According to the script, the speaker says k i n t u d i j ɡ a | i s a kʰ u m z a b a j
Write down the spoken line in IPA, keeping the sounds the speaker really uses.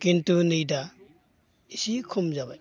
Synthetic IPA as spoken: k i n t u n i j d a | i s i kʰ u m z a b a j